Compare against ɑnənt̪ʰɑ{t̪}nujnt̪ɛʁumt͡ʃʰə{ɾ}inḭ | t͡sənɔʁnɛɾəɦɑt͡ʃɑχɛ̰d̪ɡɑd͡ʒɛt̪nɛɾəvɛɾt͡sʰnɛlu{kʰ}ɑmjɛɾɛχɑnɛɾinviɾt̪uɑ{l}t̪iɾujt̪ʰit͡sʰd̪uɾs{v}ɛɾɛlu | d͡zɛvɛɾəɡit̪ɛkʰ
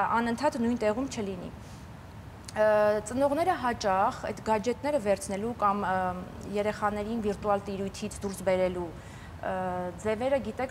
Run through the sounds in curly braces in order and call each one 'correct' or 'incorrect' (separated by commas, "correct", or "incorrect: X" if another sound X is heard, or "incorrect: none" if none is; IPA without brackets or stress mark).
correct, incorrect: l, incorrect: k, correct, incorrect: b